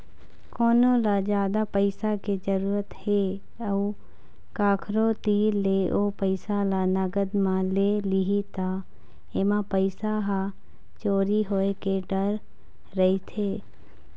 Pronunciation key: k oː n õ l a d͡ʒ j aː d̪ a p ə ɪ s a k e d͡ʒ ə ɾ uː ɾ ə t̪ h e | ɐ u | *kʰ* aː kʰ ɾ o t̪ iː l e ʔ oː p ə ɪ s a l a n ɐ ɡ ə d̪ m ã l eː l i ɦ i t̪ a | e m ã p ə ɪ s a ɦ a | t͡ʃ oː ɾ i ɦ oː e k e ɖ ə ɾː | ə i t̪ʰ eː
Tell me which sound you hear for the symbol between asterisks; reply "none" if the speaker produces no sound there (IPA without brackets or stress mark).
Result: k